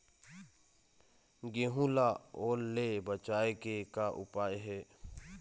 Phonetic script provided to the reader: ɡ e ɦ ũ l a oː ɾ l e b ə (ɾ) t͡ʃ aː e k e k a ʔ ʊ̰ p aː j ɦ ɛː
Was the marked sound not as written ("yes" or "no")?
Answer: yes